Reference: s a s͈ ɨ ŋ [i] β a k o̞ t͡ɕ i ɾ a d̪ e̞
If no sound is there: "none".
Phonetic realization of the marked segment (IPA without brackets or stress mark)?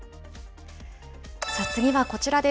i